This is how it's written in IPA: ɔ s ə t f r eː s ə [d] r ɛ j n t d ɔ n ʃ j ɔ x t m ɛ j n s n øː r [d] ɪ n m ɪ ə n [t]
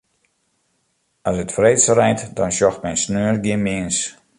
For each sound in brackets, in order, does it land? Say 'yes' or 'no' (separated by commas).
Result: no, no, no